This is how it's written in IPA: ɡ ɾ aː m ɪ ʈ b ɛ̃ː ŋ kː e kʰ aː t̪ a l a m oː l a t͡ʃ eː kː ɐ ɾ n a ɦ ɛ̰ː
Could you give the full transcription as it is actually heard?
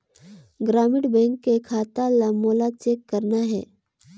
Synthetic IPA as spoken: ɡ ɾ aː m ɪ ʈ b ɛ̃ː ŋ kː e kʰ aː t̪ a l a m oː l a t͡ʃ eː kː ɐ ɾ n a ɦ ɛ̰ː